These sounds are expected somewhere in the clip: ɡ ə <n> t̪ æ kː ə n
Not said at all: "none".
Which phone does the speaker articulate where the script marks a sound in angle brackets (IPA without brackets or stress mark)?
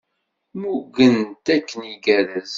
n